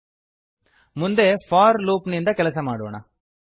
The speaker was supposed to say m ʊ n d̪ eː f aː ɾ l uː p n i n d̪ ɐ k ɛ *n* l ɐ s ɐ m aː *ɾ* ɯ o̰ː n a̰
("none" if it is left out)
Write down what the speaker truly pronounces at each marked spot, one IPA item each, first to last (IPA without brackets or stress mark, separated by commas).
none, ɽ